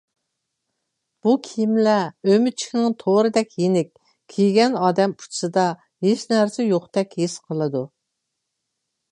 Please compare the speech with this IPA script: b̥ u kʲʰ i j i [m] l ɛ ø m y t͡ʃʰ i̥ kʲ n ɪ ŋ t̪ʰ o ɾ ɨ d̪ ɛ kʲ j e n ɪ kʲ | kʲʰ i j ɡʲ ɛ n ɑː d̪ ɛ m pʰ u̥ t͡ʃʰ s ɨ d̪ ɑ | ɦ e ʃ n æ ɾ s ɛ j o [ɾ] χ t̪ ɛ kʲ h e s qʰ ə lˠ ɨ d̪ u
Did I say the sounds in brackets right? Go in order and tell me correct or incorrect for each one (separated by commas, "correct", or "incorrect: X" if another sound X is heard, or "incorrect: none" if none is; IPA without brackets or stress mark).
correct, incorrect: none